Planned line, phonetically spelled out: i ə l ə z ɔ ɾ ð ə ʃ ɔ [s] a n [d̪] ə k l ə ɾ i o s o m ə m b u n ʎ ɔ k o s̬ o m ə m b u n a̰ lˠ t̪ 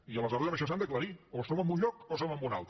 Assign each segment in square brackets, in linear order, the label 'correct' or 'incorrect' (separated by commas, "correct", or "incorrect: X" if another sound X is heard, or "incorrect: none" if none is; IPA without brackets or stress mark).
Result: correct, correct